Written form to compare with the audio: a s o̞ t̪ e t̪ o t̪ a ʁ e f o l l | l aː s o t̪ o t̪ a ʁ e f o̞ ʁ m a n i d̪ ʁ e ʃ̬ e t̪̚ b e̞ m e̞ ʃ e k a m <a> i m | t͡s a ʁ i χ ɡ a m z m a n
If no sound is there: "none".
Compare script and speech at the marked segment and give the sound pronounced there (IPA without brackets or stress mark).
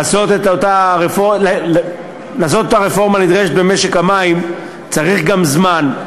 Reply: a